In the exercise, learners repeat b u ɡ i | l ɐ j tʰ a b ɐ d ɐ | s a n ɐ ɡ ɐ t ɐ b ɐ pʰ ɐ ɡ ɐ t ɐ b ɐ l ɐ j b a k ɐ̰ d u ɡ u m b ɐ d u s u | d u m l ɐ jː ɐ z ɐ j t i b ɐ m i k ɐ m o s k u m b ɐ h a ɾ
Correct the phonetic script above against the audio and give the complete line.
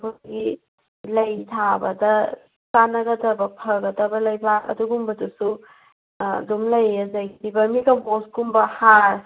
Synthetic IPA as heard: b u ɡ i | l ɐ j tʰ a b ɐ d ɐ | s a n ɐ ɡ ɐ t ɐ b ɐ pʰ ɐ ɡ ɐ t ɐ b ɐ l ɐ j b a k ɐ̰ d u ɡ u m b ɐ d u s u | d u m l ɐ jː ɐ z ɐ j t i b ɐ m i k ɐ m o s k u m b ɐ h a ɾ